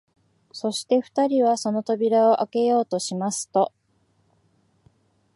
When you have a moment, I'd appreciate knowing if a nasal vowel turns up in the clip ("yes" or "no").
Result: no